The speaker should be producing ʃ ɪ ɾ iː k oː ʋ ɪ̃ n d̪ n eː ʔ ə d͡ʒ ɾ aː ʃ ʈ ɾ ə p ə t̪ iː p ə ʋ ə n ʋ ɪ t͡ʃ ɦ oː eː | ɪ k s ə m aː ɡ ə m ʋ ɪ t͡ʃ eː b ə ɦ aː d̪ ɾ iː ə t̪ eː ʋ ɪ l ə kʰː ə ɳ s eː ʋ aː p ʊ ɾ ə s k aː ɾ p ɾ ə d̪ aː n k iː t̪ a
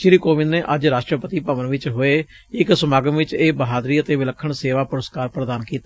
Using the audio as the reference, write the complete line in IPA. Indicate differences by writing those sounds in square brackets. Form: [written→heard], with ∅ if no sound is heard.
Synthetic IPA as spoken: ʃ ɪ ɾ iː k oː ʋ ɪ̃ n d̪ n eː ʔ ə d͡ʒ ɾ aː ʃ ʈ ɾ ə p ə t̪ iː p ə ʋ ə n ʋ ɪ t͡ʃ ɦ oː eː | ɪ k s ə m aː ɡ ə m ʋ ɪ t͡ʃ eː b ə ɦ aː d̪ ɾ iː ə t̪ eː ʋ ɪ l ə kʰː ə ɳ s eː ʋ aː p ʊ ɾ ə s k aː ɾ p ɾ ə d̪ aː n k iː t̪ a